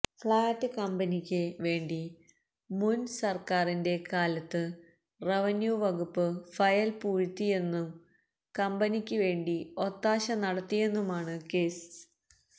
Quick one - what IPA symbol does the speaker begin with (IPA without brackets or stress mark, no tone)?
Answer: f